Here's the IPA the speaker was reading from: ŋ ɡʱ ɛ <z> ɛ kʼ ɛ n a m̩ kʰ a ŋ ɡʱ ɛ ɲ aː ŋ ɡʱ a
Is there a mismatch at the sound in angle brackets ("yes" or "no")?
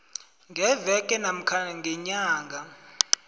yes